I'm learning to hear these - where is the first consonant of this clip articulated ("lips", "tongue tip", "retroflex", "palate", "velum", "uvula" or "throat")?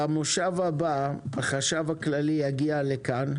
lips